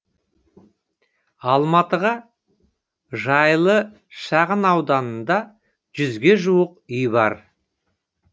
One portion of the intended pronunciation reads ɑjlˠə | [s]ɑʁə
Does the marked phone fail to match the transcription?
yes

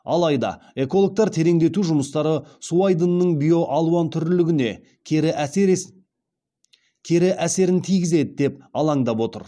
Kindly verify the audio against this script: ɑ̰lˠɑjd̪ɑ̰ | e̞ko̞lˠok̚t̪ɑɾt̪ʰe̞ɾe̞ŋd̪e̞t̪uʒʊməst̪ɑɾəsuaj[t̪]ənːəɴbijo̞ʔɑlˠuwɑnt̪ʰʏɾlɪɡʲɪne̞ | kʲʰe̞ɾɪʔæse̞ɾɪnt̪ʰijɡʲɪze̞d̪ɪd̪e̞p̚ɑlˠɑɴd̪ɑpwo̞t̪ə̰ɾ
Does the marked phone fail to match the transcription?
yes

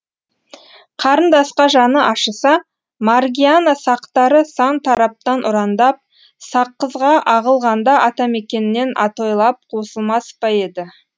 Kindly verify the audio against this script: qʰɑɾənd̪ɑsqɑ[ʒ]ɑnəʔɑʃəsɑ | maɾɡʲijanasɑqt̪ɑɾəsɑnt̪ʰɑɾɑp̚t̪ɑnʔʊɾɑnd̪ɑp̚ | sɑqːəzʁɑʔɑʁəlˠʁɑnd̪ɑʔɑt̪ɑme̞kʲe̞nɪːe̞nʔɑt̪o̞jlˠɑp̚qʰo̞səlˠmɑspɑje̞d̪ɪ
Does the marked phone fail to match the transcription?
no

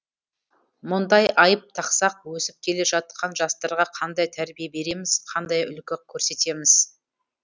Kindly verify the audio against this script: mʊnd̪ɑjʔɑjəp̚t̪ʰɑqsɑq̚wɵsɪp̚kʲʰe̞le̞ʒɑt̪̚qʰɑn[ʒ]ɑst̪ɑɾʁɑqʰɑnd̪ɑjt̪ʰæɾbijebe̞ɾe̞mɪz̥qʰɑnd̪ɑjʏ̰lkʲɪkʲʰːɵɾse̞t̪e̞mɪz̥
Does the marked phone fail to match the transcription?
no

